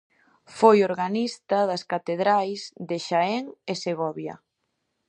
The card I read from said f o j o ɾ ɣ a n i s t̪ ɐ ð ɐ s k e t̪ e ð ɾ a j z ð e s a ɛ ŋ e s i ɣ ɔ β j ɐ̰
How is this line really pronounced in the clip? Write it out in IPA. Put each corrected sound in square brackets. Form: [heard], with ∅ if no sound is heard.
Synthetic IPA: f o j o ɾ ɣ a n i s t̪ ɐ ð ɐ s k [a] t̪ e ð ɾ a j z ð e [ʃ] a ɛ ŋ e s [e] ɣ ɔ β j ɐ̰

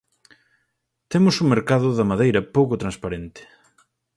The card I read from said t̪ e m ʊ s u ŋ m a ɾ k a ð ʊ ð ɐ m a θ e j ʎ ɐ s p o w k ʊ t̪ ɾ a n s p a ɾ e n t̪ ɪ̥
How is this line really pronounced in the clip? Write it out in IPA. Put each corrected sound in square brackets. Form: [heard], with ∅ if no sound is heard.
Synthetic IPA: t̪ e m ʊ s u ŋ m [e] ɾ k a ð ʊ ð ɐ m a [ð] e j [ɾ] ɐ [∅] p o w k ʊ t̪ ɾ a n s p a ɾ e n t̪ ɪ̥

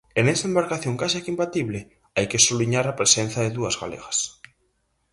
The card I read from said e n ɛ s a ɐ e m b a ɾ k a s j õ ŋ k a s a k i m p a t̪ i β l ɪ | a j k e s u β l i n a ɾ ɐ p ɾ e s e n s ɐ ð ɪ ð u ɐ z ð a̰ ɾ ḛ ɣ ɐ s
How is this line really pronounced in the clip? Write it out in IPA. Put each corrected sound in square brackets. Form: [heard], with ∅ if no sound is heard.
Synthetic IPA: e n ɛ s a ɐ e m b a ɾ k a [θ] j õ ŋ k a s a k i m p a t̪ i β l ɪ | a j k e s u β l i [ɲ] a ɾ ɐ p ɾ e s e n [θ] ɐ ð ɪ ð u ɐ z [ɣ] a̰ [l] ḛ ɣ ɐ s

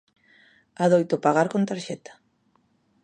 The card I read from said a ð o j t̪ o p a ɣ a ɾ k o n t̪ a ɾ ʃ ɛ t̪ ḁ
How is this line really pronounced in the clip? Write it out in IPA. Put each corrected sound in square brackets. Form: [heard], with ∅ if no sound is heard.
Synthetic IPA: a ð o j t̪ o p a ɣ a ɾ k o n t̪ a ɾ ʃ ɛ t̪ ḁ

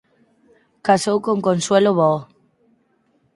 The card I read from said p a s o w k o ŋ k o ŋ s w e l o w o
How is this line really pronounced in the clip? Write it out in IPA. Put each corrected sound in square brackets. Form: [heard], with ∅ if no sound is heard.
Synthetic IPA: [k] a s o w k o ŋ k o [n] s w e l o [β] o

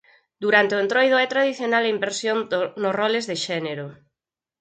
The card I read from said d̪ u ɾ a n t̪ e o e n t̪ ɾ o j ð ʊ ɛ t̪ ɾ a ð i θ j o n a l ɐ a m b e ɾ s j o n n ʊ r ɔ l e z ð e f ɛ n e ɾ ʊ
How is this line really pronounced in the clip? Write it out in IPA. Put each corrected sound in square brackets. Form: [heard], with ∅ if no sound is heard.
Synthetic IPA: d̪ u ɾ a n t̪ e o e n t̪ ɾ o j ð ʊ ɛ t̪ ɾ a ð i θ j o n a l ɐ [i] m b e ɾ s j o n n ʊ r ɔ l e z ð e [ʃ] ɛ n e ɾ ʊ

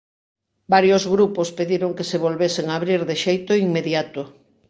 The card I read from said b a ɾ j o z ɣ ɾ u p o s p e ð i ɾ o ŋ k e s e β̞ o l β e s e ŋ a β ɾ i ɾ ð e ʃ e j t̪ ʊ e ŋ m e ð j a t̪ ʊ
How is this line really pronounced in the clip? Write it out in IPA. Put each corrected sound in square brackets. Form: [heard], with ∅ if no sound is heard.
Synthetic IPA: b a ɾ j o z ɣ ɾ u p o s p e ð i ɾ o ŋ k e s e β̞ o l β e s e ŋ a β ɾ i ɾ ð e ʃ e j t̪ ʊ [i] ŋ m e ð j a t̪ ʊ

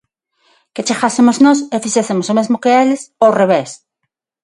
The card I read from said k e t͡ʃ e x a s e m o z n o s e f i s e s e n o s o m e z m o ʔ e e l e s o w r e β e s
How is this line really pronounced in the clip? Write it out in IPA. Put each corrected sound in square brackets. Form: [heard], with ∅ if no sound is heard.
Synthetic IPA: k e t͡ʃ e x a s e m o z n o s e f i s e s e [m] o s o m e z m o [k] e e l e s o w r e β e s

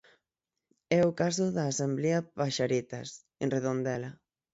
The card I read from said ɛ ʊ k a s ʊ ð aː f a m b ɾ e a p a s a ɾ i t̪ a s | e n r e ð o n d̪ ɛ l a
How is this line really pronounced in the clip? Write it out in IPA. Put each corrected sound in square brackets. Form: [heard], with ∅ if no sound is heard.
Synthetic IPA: ɛ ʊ k a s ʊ ð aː [s] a m b [l] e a p a [ʃ] a ɾ i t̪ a s | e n r e ð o n d̪ ɛ l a

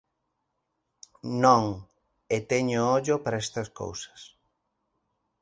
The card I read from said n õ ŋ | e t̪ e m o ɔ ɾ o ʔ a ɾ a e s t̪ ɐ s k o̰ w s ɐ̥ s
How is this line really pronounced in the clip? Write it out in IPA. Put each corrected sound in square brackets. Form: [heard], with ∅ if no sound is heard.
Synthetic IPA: n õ ŋ | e t̪ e [ɲ] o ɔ [ʎ] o [p] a ɾ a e s t̪ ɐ s k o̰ w s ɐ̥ s

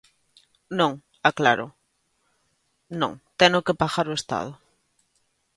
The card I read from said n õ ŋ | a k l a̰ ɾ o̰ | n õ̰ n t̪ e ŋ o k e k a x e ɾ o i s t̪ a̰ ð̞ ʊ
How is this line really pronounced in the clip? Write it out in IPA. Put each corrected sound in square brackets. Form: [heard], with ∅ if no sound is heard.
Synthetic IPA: n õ ŋ | a k l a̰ ɾ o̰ | n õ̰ [ŋ] t̪ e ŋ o k e [p] a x [a] ɾ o [e] s t̪ a̰ ð̞ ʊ

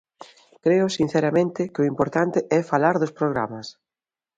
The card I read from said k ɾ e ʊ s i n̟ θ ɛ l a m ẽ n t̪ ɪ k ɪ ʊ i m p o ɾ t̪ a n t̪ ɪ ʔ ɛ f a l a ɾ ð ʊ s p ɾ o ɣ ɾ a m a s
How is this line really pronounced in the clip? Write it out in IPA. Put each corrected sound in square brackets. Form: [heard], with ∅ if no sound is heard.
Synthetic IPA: k ɾ e ʊ s i n̟ θ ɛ [ɾ] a m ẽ n t̪ ɪ k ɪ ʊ i m p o ɾ t̪ a n t̪ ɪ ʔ ɛ f a l a ɾ ð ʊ s p ɾ o ɣ ɾ a m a s

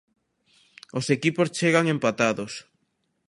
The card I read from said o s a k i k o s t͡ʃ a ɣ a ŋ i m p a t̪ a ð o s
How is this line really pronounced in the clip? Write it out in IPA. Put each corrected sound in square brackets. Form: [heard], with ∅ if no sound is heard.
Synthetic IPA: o s [e] k i [p] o s t͡ʃ [e] ɣ a ŋ [e] m p a t̪ a ð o s

